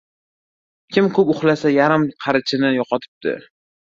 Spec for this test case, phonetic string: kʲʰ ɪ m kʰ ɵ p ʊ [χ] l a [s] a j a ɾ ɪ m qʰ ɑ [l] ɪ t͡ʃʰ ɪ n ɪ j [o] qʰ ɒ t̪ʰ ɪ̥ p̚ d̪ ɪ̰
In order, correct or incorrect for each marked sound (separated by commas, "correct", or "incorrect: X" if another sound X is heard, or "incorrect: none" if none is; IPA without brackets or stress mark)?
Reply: correct, correct, incorrect: ɾ, incorrect: ɒ